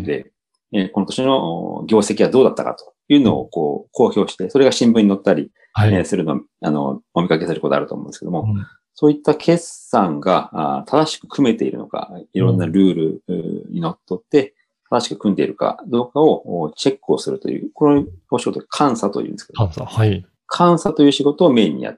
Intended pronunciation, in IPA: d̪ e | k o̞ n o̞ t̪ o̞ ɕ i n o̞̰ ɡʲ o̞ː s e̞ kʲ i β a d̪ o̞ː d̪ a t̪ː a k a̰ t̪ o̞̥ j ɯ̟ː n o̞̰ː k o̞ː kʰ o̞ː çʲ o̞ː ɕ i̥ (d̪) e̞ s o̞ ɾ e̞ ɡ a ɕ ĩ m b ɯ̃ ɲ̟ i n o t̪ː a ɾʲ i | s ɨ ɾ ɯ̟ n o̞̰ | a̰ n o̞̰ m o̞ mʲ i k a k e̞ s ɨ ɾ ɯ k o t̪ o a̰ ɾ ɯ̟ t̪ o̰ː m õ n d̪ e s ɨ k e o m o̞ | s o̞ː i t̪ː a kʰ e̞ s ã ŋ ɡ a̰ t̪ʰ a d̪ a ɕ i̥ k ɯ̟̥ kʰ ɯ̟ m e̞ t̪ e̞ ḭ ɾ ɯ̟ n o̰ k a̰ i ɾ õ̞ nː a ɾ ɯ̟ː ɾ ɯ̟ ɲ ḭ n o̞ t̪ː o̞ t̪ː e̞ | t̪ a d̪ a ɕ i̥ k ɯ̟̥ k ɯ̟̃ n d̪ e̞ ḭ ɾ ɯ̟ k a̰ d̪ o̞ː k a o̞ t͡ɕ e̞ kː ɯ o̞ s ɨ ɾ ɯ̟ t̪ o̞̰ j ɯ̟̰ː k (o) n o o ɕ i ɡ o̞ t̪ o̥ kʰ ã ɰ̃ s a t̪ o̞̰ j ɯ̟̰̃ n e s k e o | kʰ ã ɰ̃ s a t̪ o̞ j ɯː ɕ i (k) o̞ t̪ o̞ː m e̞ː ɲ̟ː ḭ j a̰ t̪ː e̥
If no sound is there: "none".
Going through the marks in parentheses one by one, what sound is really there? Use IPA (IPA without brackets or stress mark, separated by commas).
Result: t̪, o, ɡ